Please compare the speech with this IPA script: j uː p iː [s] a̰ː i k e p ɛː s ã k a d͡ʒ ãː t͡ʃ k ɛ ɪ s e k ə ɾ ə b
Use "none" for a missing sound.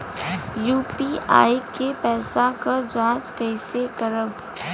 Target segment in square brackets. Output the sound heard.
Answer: none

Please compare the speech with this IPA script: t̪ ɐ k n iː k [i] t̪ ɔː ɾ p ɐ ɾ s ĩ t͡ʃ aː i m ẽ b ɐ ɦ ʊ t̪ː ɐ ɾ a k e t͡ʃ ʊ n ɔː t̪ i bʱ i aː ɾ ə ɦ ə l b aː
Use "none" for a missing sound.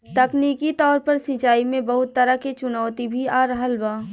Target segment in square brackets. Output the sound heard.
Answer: i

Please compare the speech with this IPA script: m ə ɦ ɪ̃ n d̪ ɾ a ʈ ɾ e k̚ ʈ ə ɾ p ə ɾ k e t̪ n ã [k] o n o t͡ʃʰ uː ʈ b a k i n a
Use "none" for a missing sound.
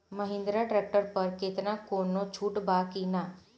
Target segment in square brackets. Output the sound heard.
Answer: k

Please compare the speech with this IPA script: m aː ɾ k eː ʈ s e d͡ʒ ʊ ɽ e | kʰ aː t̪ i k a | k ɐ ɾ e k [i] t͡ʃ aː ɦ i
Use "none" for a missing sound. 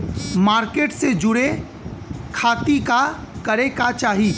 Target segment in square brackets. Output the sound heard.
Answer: a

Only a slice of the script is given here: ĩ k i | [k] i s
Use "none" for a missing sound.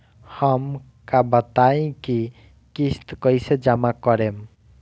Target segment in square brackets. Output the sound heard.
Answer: k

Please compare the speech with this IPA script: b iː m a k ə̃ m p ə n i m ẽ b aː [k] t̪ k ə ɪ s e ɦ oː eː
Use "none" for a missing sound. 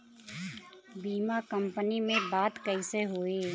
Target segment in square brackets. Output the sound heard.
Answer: none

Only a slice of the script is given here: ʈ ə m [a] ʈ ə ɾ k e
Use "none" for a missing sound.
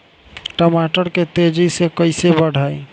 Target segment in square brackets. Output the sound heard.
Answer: a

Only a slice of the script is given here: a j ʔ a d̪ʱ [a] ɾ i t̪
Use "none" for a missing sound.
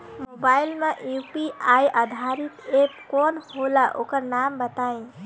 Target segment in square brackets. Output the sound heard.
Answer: a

